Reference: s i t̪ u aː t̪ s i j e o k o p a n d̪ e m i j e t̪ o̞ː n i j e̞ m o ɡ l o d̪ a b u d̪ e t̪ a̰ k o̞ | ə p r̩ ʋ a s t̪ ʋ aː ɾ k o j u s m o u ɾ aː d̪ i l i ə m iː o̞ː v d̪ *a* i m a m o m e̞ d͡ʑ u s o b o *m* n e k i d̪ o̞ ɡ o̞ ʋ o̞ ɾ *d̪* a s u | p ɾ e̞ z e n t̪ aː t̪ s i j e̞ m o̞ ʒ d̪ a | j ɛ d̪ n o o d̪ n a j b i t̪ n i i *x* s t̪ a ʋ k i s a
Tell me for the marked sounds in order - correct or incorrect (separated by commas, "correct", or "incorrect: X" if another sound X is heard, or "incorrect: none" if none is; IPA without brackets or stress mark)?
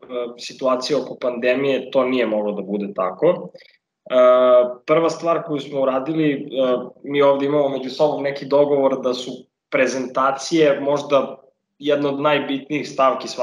incorrect: e, correct, correct, correct